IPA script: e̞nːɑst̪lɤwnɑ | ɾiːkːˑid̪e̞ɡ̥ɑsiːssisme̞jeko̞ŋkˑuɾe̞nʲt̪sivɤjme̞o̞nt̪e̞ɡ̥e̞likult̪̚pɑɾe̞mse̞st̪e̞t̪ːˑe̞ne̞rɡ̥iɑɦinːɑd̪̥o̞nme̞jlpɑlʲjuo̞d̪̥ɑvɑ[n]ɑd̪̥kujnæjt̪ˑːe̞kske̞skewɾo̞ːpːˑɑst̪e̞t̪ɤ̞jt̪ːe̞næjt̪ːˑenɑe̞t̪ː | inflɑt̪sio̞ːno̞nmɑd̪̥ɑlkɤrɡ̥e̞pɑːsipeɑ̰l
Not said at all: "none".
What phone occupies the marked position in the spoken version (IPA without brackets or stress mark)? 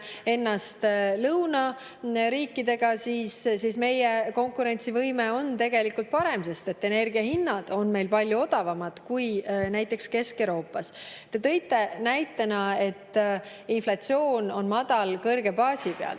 m